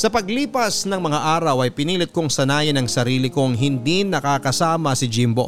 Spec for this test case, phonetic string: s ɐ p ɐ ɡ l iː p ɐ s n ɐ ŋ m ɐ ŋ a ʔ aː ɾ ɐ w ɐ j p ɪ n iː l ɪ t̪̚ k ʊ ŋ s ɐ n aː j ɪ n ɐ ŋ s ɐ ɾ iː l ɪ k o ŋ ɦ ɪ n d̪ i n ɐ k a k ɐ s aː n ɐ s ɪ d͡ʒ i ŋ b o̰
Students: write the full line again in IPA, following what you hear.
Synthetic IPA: s ɐ p ɐ ɡ l iː p ɐ s n ɐ ŋ m ɐ ŋ a ʔ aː ɾ ɐ w ɐ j p ɪ n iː l ɪ t̪̚ k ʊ ŋ s ɐ n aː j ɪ n ɐ ŋ s ɐ ɾ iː l ɪ k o ŋ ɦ ɪ n d̪ i n ɐ k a k ɐ s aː m ɐ s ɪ d͡ʒ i m b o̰